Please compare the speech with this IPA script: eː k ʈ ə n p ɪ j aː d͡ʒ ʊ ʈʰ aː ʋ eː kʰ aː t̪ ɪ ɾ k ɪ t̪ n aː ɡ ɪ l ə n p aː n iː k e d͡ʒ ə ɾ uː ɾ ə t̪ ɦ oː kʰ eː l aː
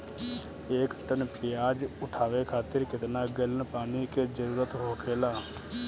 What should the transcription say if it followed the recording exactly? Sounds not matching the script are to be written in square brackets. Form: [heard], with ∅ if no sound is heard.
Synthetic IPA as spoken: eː k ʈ ə n p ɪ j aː d͡ʒ ʊ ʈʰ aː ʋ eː kʰ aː t̪ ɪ ɾ k ɪ t̪ n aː ɡ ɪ l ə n p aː n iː k e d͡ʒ ə ɾ uː ɾ ə t̪ ɦ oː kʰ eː l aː

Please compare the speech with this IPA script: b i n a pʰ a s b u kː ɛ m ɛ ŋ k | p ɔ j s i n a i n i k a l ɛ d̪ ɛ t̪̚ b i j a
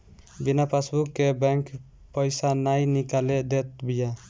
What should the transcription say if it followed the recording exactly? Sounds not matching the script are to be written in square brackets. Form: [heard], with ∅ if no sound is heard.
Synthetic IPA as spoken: b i n a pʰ a s b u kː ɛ [b] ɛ ŋ k | p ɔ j s [a] n a [j] n i k a l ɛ d̪ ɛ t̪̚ b i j a

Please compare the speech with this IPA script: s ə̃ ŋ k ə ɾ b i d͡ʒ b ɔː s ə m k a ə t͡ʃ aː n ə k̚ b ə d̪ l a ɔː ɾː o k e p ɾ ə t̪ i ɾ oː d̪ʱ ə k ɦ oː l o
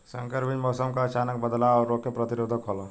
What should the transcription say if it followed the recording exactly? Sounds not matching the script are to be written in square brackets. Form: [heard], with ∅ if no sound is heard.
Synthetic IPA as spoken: s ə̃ ŋ k ə ɾ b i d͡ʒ [m] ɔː s ə m k a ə t͡ʃ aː n ə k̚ b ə d̪ l a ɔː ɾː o k e p ɾ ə t̪ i ɾ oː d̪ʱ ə k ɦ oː l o

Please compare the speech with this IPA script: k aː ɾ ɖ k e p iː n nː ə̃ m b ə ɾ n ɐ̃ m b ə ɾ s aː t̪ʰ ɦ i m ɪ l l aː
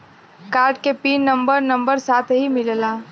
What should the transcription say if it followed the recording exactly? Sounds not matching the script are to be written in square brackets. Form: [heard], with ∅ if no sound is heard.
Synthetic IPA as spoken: k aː ɾ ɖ k e p iː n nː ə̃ m b ə ɾ n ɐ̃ m b ə ɾ s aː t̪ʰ ɦ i m ɪ l l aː

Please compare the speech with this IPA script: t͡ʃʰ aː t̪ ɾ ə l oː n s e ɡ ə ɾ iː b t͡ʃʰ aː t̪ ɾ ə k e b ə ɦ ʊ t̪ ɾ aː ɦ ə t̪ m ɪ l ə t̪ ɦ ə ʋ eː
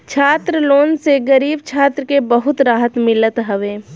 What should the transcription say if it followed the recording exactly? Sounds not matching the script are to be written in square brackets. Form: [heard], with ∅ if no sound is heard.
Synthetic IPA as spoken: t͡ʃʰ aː t̪ ɾ ə l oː n s e ɡ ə ɾ iː b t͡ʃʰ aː t̪ ɾ ə k e b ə ɦ ʊ t̪ ɾ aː ɦ ə t̪ m ɪ l ə t̪ ɦ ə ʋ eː

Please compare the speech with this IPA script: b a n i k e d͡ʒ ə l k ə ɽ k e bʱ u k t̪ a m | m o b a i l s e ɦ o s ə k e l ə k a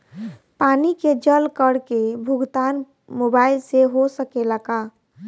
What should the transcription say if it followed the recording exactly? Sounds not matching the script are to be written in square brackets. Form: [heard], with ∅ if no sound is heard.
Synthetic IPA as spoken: [p] a n i k e d͡ʒ ə l k ə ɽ k e bʱ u [ɡ] t̪ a [n] | m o b a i l s e ɦ o s ə k e l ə k a

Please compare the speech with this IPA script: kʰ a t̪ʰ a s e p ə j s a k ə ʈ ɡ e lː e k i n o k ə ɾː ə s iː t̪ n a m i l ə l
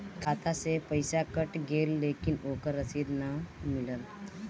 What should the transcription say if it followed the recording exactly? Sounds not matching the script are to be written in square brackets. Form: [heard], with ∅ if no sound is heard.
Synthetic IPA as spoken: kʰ a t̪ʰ a s e p ə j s a k ə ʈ ɡ e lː e k i n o k ə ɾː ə s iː [d̪] n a m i l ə l

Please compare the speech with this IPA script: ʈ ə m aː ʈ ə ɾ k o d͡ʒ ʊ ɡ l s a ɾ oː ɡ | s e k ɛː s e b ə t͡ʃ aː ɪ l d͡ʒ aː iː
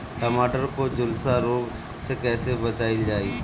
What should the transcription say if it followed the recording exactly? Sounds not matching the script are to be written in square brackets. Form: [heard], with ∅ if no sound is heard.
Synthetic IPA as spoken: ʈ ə m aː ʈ ə ɾ k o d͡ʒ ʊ [∅] l s a ɾ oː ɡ | s e k ɛː s e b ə t͡ʃ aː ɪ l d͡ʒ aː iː

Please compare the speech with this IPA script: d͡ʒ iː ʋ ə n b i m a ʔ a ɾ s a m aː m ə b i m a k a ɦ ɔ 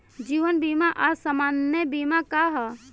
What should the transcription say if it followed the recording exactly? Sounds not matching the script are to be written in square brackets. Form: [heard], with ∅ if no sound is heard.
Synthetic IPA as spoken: d͡ʒ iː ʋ ə n b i m a ʔ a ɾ s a m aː [n] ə b i m a k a ɦ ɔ

